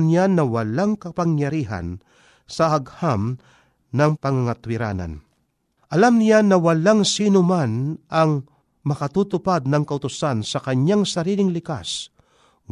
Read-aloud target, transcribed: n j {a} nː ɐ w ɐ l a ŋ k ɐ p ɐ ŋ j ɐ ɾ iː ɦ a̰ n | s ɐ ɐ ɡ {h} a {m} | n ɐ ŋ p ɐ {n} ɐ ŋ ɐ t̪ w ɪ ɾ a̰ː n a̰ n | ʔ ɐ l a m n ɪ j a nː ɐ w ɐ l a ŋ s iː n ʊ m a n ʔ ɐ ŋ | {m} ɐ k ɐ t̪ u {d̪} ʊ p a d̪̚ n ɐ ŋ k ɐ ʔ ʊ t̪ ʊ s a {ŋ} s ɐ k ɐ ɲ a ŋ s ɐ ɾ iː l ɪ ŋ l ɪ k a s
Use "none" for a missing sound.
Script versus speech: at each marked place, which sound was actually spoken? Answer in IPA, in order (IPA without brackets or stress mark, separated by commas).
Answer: a, h, m, ŋ, m, t̪, n